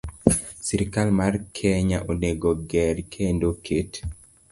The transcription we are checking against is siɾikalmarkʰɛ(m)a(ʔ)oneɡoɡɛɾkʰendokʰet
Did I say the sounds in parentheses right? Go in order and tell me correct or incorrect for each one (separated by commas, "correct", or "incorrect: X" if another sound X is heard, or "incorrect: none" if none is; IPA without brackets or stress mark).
incorrect: ɲ, correct